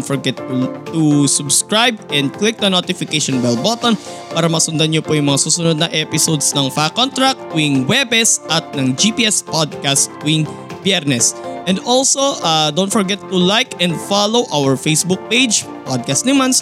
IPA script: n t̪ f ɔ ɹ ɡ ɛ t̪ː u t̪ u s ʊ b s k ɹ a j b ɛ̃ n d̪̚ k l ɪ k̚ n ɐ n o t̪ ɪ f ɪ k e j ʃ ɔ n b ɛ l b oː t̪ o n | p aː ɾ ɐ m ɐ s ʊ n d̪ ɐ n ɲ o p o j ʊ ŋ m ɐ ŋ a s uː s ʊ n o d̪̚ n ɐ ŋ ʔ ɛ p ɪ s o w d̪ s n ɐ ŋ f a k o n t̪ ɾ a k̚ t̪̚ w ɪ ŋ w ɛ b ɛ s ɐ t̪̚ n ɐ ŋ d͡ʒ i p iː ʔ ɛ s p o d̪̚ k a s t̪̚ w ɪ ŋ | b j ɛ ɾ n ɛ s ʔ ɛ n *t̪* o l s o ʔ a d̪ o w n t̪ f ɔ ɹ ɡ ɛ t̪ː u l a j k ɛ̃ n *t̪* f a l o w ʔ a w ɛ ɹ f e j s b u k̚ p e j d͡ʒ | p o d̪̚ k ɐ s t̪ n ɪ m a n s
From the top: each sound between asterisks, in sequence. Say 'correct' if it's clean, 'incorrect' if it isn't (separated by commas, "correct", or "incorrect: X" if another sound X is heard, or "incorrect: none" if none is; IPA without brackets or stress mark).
incorrect: d̪, incorrect: d̪